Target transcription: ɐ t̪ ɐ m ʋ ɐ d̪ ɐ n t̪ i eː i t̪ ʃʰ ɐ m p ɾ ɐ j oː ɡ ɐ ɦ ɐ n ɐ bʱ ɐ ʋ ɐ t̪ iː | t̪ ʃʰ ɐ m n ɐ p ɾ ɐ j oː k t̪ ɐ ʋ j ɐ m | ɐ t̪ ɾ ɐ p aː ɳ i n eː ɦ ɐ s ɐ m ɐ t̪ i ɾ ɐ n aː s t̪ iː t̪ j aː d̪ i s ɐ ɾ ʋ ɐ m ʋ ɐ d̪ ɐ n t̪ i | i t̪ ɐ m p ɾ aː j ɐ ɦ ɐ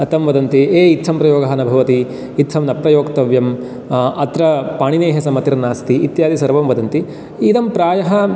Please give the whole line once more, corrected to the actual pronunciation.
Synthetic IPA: ɐ t̪ ɐ m ʋ ɐ d̪ ɐ n t̪ i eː i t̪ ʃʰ ɐ m p ɾ ɐ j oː ɡ ɐ ɦ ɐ n ɐ bʱ ɐ ʋ ɐ t̪ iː | t̪ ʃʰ ɐ m n ɐ p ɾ ɐ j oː k t̪ ɐ ʋ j ɐ m | ɐ t̪ ɾ ɐ p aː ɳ i n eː ɦ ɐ s ɐ m ɐ t̪ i ɾ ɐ n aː s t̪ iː t̪ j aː d̪ i s ɐ ɾ ʋ ɐ m ʋ ɐ d̪ ɐ n t̪ i | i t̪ ɐ m p ɾ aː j ɐ ɦ ɐ

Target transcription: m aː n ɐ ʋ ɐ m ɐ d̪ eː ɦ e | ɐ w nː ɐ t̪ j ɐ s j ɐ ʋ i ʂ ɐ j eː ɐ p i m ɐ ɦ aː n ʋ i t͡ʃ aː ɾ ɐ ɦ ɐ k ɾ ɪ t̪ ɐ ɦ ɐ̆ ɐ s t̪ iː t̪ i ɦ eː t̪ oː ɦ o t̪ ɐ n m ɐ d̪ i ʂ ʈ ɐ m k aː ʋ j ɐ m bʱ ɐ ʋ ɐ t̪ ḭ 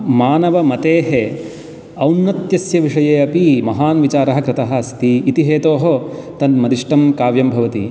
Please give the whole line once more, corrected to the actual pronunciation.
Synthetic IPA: m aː n ɐ ʋ ɐ m ɐ t̪ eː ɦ e | ɐ w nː ɐ t̪ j ɐ s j ɐ ʋ i ʂ ɐ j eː ɐ p i m ɐ ɦ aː n ʋ i t͡ʃ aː ɾ ɐ ɦ ɐ k ɾ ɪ t̪ ɐ ɦ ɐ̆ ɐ s t̪ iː t̪ i ɦ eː t̪ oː ɦ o t̪ ɐ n m ɐ d̪ i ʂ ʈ ɐ m k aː ʋ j ɐ m bʱ ɐ ʋ ɐ t̪ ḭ

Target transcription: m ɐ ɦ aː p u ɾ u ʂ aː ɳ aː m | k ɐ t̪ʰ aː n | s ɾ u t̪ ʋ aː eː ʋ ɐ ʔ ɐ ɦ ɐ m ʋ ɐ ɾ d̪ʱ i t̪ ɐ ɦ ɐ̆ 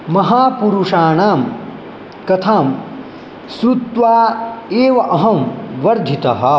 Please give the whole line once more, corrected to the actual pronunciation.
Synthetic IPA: m ɐ ɦ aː p u ɾ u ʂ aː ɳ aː m | k ɐ t̪ʰ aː m | s ɾ u t̪ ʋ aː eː ʋ ɐ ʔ ɐ ɦ ɐ m ʋ ɐ ɾ d̪ʱ i t̪ ɐ ɦ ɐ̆

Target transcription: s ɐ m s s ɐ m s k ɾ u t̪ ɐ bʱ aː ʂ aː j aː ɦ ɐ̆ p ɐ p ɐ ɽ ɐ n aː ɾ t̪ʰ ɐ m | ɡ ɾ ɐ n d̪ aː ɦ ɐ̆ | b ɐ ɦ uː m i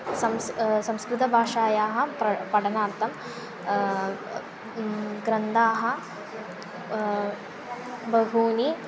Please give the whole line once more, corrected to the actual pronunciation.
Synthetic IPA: s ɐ m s s ɐ m s k ɾ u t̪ ɐ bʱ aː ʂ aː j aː ɦ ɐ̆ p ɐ p ɐ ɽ ɐ n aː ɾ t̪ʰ ɐ m | ɡ ɾ ɐ n d̪ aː ɦ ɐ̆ | b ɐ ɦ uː n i

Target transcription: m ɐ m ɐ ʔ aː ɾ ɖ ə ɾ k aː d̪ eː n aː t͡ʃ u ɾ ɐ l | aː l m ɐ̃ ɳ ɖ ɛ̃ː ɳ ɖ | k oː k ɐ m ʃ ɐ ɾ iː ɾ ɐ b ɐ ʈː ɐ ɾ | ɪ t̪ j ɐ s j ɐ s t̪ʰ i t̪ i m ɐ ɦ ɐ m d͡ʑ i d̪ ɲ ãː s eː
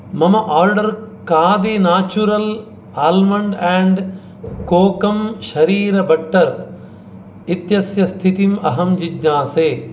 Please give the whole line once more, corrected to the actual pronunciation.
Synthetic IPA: m ɐ m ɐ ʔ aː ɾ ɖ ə ɾ k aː d̪ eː n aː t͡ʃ u ɾ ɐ l | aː l m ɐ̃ ɳ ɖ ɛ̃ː ɳ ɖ | k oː k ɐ m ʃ ɐ ɾ iː ɾ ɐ b ɐ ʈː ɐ ɾ | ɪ t̪ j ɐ s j ɐ s t̪ʰ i t̪ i m ɐ ɦ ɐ m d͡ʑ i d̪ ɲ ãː s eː

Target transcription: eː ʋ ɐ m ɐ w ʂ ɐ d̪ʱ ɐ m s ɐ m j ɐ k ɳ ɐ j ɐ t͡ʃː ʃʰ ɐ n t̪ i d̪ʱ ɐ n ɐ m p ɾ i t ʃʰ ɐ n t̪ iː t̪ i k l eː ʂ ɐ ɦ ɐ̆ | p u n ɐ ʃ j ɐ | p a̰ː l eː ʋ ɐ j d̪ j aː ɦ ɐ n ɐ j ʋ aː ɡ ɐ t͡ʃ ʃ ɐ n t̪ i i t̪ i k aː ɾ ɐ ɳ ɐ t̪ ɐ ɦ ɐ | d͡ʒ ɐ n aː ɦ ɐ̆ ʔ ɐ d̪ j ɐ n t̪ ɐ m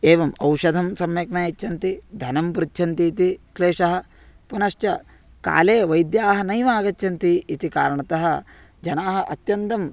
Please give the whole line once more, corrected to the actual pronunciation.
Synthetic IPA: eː ʋ ɐ m ɐ w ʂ ɐ d̪ʱ ɐ m s ɐ m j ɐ k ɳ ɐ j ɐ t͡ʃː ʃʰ ɐ n t̪ i d̪ʱ ɐ n ɐ m p ɾ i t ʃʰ ɐ n t̪ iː t̪ i k l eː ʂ ɐ ɦ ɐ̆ | p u n ɐ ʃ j ɐ | k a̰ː l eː ʋ ɐ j d̪ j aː ɦ ɐ n ɐ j ʋ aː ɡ ɐ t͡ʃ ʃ ɐ n t̪ i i t̪ i k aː ɾ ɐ ɳ ɐ t̪ ɐ ɦ ɐ | d͡ʒ ɐ n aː ɦ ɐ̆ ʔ ɐ t̪ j ɐ n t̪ ɐ m

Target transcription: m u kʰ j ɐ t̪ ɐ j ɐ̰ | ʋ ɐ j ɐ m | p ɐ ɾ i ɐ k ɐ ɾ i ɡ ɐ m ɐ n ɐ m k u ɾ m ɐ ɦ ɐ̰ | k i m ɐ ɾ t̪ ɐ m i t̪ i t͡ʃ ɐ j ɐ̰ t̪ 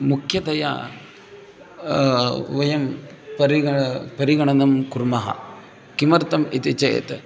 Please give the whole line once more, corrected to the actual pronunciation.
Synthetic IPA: m u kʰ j ɐ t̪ ɐ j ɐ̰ | ʋ ɐ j ɐ m | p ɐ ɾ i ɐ p ɐ ɾ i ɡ ɐ ɳ ɐ n ɐ m k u ɾ m ɐ ɦ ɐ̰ | k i m ɐ ɾ t̪ ɐ m i t̪ i t͡ʃ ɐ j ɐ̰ t̪

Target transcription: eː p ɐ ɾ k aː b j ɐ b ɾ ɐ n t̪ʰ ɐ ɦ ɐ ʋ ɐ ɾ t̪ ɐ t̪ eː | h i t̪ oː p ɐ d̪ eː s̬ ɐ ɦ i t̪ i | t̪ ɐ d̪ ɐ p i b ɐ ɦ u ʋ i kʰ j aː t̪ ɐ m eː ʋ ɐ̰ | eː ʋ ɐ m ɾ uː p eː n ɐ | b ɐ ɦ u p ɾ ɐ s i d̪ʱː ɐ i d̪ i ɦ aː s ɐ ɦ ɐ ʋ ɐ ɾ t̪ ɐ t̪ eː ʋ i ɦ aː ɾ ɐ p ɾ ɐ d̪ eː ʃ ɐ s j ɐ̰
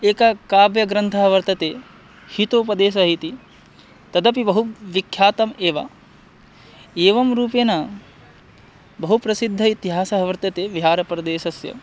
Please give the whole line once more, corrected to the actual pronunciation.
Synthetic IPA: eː k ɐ k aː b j ɐ ɡ ɾ ɐ n t̪ʰ ɐ ɦ ɐ ʋ ɐ ɾ t̪ ɐ t̪ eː | h i t̪ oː p ɐ d̪ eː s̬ ɐ ɦ i t̪ i | t̪ ɐ d̪ ɐ p i b ɐ ɦ u ʋ i kʰ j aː t̪ ɐ m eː ʋ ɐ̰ | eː ʋ ɐ m ɾ uː p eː n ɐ | b ɐ ɦ u p ɾ ɐ s i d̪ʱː ɐ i t̪ i ɦ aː s ɐ ɦ ɐ ʋ ɐ ɾ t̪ ɐ t̪ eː ʋ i ɦ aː ɾ ɐ p ɾ ɐ d̪ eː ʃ ɐ s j ɐ̰

